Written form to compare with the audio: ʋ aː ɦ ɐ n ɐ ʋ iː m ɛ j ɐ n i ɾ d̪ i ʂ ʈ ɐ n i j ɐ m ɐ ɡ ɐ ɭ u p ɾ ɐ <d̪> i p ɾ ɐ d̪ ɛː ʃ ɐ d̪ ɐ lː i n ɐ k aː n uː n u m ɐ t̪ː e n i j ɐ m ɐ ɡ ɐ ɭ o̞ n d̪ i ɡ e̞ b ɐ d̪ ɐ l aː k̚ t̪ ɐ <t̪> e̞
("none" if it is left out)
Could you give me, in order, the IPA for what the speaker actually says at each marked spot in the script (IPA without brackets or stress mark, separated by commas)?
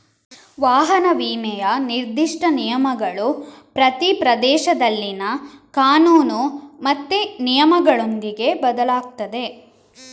t̪, d̪